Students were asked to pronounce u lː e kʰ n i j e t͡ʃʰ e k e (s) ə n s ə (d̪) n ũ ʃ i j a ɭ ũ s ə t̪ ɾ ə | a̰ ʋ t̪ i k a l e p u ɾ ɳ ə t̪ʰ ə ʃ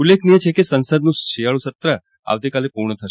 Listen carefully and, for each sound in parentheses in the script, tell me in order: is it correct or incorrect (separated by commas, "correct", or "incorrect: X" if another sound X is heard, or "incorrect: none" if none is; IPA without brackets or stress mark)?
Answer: correct, correct